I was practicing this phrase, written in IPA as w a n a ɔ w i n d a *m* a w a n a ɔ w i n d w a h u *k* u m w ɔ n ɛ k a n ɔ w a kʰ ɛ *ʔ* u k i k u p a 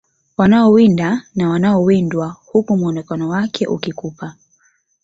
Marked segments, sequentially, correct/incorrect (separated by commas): incorrect, correct, correct